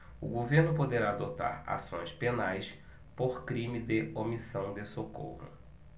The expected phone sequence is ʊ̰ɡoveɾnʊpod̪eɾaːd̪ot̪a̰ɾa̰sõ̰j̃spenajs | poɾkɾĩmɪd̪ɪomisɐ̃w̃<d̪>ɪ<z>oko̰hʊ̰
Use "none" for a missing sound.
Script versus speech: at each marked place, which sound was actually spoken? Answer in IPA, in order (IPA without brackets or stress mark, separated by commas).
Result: d̪, s